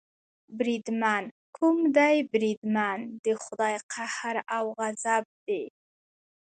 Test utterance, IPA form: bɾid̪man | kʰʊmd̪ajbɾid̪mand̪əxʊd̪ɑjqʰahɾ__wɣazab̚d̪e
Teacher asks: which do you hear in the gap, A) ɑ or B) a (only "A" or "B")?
B